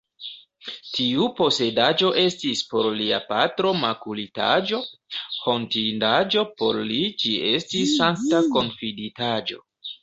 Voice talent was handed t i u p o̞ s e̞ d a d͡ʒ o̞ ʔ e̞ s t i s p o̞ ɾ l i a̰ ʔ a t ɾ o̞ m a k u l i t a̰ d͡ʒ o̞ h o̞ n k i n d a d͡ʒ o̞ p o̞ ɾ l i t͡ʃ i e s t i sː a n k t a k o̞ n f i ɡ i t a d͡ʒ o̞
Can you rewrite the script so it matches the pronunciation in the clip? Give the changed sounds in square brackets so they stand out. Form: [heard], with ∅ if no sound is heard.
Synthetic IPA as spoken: t i u p o̞ s e̞ d a d͡ʒ o̞ ʔ e̞ s t i s p o̞ ɾ l i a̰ [p] a t ɾ o̞ m a k u l i t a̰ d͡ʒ o̞ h o̞ n [t] i n d a d͡ʒ o̞ p o̞ ɾ l i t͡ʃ i e s t i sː a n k t a k o̞ n f i [d] i t a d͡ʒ o̞